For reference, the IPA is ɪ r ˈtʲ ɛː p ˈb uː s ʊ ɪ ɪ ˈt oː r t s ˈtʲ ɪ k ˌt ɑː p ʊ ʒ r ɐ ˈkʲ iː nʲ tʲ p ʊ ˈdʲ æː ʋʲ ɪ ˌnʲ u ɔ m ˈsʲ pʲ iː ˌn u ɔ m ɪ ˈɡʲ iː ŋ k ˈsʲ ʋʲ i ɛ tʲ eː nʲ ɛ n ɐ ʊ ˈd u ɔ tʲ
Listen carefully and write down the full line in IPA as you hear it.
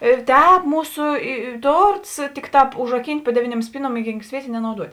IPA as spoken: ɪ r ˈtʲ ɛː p ˈm uː s ʊ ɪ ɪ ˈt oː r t s ˈtʲ ɪ k ˌt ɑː p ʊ ʒ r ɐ ˈkʲ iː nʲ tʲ p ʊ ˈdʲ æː ʋʲ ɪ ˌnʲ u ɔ m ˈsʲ pʲ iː ˌn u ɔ m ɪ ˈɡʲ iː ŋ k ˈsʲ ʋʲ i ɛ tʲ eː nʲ ɛ n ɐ ʊ ˈd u ɔ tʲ